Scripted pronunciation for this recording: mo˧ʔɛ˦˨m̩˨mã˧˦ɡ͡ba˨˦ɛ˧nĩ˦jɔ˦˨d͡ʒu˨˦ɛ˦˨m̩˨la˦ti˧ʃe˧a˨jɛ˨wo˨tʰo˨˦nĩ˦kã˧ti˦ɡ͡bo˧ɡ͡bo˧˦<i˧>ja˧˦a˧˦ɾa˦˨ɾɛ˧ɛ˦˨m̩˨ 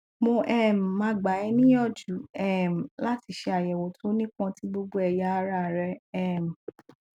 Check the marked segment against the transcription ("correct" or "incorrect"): incorrect